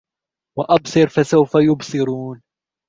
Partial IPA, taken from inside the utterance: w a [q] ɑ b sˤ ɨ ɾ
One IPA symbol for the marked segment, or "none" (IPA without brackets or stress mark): ʔ